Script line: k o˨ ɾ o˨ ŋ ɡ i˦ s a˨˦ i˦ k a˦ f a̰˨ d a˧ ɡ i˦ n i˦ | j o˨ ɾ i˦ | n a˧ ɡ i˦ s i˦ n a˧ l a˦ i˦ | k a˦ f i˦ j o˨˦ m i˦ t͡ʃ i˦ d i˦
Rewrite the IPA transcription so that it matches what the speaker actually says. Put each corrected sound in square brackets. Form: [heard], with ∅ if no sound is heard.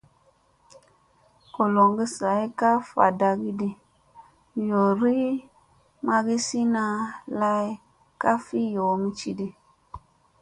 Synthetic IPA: k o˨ [l] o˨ ŋ ɡ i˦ s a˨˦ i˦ k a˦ f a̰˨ d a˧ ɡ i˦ [d] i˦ | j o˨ ɾ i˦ | [m] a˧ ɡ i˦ s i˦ n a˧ l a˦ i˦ | k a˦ f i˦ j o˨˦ m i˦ t͡ʃ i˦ d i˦